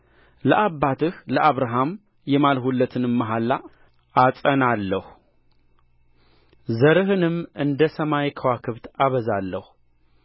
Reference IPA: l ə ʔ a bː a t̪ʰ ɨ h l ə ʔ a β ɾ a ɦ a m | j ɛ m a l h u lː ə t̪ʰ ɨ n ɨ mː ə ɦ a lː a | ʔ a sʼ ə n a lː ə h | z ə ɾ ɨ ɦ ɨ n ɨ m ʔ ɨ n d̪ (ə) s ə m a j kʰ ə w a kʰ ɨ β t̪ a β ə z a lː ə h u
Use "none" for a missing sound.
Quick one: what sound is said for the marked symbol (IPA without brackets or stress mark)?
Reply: ə